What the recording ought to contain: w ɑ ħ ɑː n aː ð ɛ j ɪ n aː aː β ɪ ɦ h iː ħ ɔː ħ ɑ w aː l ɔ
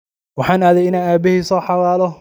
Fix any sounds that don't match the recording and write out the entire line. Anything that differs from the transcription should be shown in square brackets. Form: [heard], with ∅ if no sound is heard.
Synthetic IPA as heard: w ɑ ħ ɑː n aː ð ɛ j ɪ n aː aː [b] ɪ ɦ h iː [s] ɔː ħ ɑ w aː l ɔ